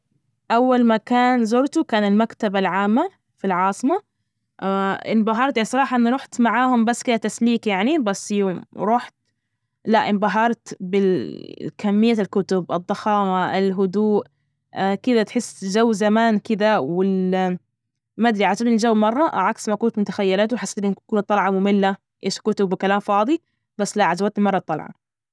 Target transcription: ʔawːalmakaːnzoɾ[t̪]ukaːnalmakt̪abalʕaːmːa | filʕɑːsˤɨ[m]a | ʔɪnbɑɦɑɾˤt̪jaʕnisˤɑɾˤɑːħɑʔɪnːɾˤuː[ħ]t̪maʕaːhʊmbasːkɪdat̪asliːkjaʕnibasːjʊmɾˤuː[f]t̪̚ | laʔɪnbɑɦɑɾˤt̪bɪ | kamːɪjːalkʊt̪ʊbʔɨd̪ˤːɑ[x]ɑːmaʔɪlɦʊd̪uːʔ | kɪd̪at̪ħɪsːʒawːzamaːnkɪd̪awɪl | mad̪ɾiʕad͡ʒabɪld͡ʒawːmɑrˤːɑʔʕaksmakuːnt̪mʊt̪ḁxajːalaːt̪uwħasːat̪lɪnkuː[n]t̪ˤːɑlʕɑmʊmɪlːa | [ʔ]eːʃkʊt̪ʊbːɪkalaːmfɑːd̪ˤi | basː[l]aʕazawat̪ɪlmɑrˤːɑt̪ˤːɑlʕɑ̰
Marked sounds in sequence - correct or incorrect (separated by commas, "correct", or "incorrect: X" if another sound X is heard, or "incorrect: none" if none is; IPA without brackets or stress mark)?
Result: correct, correct, correct, incorrect: ħ, correct, correct, correct, correct